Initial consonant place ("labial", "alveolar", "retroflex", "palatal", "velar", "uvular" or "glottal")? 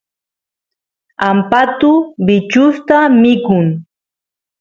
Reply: labial